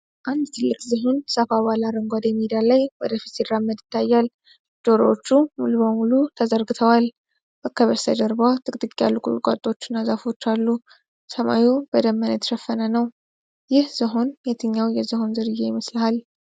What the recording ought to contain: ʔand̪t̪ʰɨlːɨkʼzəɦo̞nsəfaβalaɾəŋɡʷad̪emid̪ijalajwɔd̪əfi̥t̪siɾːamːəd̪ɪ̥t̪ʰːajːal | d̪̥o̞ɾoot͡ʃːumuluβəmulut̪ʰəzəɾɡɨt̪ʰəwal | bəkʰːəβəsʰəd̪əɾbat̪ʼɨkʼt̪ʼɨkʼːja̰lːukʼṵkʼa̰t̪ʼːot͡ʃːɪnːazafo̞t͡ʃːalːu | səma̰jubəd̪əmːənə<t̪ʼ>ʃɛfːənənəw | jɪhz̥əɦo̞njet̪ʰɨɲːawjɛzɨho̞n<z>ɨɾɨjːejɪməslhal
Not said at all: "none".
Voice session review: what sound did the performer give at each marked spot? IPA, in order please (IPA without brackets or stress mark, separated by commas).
t̪, z